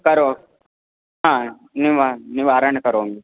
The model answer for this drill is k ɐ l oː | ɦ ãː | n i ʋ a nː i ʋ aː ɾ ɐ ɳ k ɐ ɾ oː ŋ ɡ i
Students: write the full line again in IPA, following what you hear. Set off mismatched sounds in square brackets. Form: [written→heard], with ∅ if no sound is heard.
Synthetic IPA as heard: k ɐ [l→ɾ] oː | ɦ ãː | n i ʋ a [nː→n] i ʋ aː ɾ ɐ ɳ k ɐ ɾ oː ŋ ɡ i